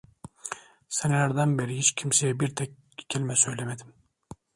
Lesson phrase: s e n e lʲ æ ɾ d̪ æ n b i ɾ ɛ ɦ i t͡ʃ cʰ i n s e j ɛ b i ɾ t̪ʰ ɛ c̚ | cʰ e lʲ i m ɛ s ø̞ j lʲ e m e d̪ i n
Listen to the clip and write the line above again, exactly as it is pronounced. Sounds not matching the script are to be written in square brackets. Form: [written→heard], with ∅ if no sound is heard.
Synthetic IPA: s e n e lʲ æ ɾ d̪ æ n b [i→e] ɾ [ɛ→i] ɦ i t͡ʃ cʰ i [n→m] s e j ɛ b i ɾ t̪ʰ ɛ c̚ | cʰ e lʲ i m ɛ s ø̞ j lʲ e m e d̪ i [n→m]